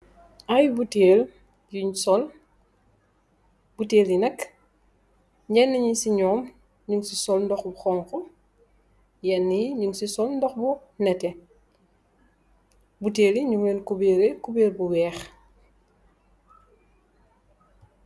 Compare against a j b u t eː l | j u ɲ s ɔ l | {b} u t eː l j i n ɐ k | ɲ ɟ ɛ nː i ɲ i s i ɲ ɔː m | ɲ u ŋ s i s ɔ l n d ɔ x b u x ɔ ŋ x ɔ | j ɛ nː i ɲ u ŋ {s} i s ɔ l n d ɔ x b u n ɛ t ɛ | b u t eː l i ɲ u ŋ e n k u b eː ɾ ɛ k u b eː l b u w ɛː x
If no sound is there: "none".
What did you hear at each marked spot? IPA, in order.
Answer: b, s

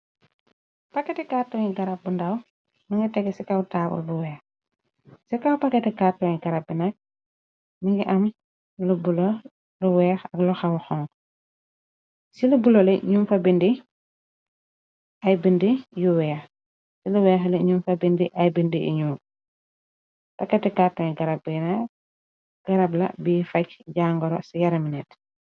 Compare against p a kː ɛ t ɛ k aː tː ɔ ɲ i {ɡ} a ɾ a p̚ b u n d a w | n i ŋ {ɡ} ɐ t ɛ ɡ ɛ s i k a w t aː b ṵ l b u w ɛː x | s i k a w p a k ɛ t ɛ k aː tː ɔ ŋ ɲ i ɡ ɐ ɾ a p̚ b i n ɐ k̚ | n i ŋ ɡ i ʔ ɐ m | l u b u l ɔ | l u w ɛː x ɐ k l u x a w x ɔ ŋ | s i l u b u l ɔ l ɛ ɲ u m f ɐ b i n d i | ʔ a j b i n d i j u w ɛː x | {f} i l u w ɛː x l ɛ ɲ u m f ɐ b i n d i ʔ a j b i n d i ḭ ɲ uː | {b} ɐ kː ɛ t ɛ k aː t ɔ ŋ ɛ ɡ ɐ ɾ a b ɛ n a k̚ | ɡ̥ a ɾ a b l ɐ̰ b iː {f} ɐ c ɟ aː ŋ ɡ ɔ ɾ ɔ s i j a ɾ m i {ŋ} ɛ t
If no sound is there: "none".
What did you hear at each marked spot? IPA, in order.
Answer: ɡ, ɡ, s, p, f, n

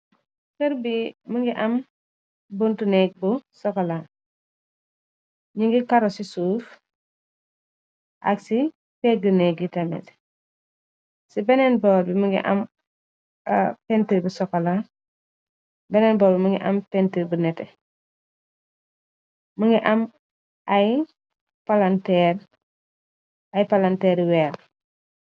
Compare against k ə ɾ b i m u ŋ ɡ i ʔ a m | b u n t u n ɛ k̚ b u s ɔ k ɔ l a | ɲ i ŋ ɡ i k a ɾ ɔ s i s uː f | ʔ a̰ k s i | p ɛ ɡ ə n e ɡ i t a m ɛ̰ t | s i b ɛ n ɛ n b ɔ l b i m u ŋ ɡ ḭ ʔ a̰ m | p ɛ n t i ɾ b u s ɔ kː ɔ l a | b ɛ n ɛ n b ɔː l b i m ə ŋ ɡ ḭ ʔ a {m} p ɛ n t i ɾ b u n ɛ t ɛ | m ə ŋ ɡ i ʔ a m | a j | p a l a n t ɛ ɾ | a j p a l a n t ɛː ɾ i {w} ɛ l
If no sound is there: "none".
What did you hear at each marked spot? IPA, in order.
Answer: m, w

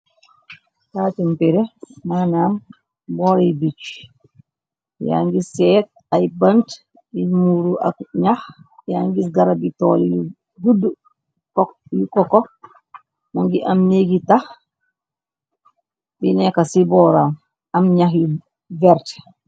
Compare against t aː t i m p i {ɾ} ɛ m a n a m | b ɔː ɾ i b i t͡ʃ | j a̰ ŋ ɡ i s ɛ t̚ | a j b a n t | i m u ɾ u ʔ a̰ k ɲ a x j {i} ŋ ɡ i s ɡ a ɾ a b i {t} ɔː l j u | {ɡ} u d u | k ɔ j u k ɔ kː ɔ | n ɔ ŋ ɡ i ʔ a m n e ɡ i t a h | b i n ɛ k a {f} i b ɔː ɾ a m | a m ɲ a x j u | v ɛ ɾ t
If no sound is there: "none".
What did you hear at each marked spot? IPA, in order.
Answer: ɾ, a, t, ɡ, s

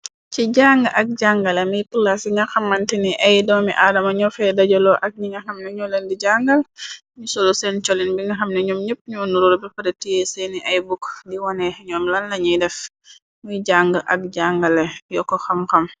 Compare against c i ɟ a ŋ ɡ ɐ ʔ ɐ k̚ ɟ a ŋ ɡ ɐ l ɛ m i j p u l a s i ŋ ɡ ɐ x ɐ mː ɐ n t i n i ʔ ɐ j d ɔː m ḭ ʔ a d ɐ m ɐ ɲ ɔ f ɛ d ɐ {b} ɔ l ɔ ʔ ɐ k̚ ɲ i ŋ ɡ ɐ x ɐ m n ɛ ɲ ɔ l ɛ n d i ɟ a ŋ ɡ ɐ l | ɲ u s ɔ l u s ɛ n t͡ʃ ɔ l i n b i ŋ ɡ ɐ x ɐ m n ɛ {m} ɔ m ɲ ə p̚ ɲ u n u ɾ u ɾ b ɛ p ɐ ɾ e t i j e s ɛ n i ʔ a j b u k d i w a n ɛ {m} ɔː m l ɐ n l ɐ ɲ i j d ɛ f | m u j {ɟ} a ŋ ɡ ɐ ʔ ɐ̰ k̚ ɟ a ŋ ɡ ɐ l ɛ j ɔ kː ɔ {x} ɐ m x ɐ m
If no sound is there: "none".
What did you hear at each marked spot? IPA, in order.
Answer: ɟ, ɲ, ɲ, ɟ, x

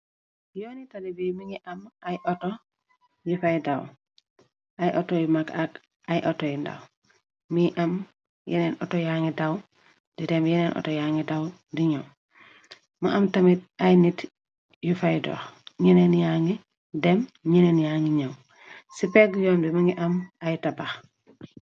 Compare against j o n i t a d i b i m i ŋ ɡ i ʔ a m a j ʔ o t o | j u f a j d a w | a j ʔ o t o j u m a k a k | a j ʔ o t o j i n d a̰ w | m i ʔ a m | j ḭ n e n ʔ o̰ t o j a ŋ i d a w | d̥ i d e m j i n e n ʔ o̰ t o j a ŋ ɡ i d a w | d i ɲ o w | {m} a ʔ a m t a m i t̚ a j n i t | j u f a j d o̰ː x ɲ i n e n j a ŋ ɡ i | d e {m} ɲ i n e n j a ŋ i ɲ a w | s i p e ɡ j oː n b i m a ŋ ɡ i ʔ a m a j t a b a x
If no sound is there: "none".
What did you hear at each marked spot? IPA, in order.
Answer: m, m

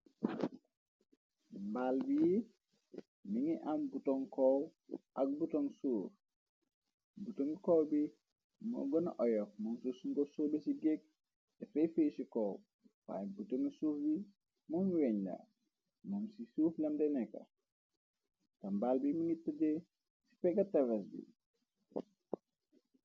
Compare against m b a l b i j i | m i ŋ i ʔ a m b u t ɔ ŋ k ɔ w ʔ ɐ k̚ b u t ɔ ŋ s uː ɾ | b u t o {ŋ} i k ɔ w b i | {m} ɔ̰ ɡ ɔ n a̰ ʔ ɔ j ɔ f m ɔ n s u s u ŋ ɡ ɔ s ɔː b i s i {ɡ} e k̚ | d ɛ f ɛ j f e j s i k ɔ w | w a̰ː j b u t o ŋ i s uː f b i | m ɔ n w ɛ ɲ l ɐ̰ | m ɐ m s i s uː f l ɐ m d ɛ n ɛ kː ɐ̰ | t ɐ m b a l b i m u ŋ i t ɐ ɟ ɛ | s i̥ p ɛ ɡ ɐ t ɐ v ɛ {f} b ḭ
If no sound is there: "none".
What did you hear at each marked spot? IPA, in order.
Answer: ŋ, m, ɡ, s

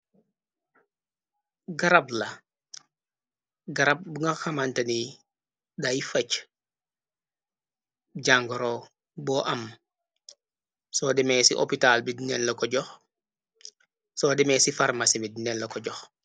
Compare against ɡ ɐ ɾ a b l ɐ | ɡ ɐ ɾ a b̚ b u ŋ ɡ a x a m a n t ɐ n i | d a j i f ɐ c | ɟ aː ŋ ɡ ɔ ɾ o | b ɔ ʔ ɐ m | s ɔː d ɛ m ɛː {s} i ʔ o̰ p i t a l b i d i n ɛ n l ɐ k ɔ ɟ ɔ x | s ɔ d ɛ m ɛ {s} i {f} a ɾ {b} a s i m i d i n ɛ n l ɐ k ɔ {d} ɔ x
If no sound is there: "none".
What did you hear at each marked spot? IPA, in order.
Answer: s, s, f, m, ɟ

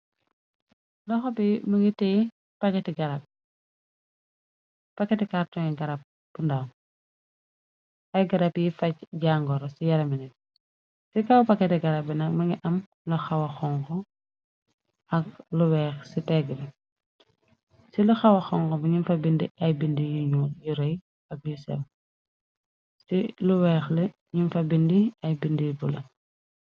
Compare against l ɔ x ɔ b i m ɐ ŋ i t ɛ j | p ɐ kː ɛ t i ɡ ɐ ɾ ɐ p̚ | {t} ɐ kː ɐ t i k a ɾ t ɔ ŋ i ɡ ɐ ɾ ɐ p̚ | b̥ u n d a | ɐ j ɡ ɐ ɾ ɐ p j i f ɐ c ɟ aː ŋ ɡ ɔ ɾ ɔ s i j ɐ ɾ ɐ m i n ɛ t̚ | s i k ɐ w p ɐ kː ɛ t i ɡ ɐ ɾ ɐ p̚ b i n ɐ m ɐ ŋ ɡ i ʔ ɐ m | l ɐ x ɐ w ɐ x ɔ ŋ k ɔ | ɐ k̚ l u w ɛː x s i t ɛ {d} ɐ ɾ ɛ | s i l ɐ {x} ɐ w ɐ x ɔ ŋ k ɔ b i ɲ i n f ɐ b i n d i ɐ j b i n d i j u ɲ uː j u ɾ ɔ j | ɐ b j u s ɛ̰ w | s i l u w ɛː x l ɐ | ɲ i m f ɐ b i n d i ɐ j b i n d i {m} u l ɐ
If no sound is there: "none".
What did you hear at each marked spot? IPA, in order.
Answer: p, ɡ, x, b

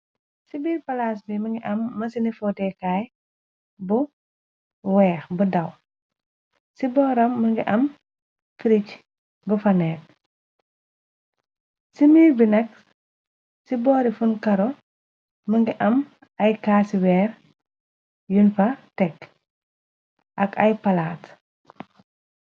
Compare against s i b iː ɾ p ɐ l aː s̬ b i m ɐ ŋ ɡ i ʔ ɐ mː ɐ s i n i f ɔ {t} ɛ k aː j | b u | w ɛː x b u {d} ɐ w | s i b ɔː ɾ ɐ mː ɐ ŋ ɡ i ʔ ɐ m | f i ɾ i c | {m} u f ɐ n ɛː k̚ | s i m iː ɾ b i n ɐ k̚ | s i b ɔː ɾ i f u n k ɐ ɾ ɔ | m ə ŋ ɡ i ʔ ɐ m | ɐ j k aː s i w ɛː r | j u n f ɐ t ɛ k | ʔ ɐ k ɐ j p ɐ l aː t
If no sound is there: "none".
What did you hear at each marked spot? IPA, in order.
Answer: t, d, b

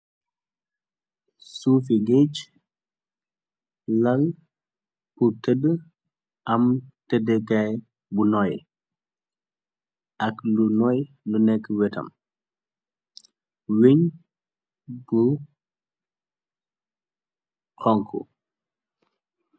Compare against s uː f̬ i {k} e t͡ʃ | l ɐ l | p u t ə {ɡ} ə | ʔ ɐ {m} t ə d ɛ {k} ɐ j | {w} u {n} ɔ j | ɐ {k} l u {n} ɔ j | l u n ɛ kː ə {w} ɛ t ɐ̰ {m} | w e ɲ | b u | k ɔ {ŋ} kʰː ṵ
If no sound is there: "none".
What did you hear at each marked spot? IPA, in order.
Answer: ɡ, d, m, k, b, n, k, n, w, m, ŋ

